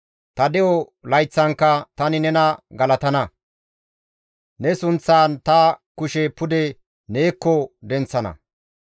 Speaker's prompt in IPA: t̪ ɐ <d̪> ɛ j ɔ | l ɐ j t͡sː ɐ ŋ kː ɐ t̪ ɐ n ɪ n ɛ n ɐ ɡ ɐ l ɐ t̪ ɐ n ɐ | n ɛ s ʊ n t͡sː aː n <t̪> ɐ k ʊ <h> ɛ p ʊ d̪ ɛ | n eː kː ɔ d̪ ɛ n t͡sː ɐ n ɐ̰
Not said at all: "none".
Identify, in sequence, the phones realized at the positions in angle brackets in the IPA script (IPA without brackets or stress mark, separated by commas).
d̪, t̪, ʃ